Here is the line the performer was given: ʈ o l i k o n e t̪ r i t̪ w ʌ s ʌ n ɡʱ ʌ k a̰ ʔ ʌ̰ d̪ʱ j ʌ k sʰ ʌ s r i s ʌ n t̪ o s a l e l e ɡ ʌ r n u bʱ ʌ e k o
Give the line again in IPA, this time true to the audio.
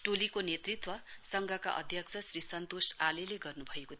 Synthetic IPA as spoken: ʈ o l i k o n e t̪ r i t̪ w ʌ s ʌ ŋ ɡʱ ʌ k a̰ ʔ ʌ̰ d̪ʱ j ʌ k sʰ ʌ s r i s ʌ n t̪ o s a l e l e ɡ ʌ r n u bʱ ʌ e k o